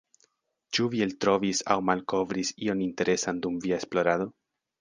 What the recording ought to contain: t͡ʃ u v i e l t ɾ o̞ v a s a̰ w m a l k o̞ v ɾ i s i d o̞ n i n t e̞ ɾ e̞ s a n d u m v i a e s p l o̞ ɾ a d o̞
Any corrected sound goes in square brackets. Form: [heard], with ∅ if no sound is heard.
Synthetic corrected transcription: t͡ʃ u v i e l t ɾ o̞ v [i] s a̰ w m a l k o̞ v ɾ i s i [∅] o̞ n i n t e̞ ɾ e̞ s a n d u m v i a e s p l o̞ ɾ a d o̞